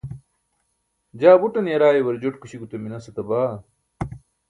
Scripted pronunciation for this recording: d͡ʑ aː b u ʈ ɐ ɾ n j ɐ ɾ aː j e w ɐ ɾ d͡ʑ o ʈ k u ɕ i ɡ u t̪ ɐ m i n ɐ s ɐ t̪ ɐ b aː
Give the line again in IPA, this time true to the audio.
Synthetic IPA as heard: d͡ʑ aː b u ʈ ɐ n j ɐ ɾ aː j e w ɐ ɾ d͡ʑ o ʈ k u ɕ i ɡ u t̪ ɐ m i n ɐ s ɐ t̪ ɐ b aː